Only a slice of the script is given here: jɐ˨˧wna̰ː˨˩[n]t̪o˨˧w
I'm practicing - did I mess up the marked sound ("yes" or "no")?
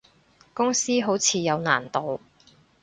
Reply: no